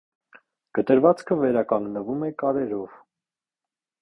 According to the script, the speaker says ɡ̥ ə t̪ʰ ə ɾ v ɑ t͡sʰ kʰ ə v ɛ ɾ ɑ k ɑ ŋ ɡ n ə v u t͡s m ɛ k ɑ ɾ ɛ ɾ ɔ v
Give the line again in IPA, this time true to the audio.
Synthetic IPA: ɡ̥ ə t̪ ə ɾ v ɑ t͡s kʰ ə v ɛ ɾ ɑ k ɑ ŋ ɡ n ə v u m ɛ k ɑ ɾ ɛ ɾ ɔ v